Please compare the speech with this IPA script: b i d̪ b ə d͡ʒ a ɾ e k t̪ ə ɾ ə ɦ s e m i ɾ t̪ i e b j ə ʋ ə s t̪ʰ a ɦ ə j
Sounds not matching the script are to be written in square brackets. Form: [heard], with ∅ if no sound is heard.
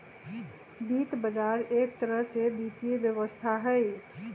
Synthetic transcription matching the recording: b i [t̪] b ə d͡ʒ a ɾ e k t̪ ə ɾ ə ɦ s e [b] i [∅] t̪ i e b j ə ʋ ə s t̪ʰ a ɦ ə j